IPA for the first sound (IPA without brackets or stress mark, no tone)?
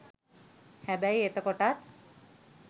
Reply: h